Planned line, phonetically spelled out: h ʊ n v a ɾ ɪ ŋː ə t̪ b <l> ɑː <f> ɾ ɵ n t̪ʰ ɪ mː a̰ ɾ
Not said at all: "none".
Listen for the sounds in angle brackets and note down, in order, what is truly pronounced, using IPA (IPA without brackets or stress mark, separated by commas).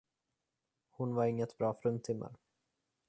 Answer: ɾ, f